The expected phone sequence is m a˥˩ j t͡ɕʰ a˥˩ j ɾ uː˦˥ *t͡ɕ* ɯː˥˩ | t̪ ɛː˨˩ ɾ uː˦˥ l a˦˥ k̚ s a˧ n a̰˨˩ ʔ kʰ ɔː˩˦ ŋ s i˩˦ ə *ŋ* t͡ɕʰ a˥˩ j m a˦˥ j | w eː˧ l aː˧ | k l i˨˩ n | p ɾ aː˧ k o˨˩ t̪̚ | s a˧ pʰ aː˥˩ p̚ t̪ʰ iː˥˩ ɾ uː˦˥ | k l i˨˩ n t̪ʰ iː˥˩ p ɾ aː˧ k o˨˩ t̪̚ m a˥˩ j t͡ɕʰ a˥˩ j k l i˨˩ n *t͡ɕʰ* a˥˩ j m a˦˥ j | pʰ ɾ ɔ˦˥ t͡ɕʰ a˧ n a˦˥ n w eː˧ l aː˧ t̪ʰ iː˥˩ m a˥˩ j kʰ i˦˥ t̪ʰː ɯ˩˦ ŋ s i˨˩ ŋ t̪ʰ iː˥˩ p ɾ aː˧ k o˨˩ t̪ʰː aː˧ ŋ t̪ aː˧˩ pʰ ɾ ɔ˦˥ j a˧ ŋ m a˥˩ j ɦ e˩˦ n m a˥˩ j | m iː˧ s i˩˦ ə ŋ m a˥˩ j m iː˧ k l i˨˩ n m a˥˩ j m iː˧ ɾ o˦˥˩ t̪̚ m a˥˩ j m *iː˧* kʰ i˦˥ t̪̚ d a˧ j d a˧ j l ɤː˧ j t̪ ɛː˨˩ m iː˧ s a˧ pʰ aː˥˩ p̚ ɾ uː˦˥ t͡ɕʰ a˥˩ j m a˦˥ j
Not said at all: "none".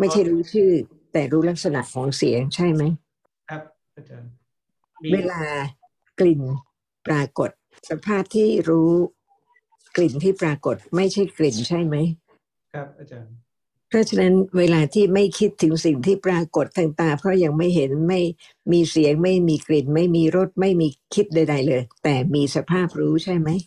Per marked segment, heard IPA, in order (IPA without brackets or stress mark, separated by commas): t͡ɕʰ, ŋ, t͡ɕʰ, iː˧